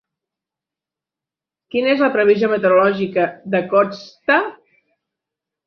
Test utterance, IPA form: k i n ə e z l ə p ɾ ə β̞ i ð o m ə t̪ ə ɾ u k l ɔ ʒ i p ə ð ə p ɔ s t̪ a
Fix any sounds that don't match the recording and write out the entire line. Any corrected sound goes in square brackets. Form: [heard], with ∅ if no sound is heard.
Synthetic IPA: k i n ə e z l ə p ɾ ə β̞ i [z] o m ə t̪ ə ɾ u [∅] l ɔ ʒ i [k] ə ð ə [k] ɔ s t̪ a